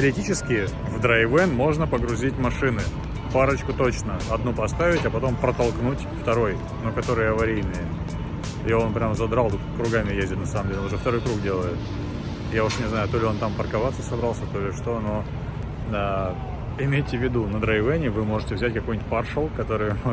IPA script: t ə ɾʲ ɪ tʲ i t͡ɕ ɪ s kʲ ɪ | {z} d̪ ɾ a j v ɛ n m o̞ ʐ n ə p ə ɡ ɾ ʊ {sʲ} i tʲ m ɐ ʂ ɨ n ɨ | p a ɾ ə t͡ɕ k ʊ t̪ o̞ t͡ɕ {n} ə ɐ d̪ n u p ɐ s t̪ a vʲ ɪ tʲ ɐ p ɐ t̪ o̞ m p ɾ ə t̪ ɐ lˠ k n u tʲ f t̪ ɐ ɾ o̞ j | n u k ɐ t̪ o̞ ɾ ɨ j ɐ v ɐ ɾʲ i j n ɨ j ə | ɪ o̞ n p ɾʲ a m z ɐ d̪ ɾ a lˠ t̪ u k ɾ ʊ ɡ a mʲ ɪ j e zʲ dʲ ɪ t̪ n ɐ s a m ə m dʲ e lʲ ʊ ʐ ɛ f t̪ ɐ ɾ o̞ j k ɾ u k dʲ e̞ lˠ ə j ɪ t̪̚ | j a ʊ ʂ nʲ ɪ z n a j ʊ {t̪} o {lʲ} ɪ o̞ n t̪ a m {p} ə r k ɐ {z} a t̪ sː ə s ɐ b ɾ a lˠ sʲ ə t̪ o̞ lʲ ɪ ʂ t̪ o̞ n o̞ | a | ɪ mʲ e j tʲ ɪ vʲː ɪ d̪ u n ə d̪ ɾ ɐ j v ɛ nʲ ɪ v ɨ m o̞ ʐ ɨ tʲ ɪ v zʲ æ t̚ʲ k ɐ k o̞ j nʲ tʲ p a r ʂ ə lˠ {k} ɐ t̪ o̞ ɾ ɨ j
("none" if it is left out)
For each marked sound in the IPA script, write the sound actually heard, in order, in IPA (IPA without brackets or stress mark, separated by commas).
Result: v, zʲ, n, t̪, lʲ, p, v, k